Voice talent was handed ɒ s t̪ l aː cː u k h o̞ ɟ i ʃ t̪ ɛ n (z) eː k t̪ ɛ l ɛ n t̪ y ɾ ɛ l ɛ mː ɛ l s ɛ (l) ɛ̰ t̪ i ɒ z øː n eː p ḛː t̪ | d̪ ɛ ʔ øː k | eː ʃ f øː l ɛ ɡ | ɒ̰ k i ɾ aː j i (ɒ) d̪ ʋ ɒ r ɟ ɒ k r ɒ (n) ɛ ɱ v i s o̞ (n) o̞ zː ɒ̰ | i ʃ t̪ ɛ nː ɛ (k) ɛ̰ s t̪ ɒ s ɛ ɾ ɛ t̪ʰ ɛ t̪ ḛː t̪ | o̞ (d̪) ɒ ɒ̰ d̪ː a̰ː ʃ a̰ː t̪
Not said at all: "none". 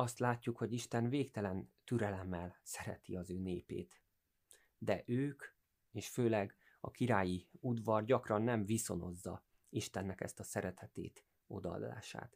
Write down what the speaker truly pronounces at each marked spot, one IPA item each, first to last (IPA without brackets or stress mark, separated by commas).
v, ɾ, u, nː, n, k, d̪